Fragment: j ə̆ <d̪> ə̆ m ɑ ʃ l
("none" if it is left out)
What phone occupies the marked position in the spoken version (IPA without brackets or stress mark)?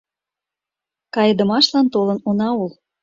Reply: d̪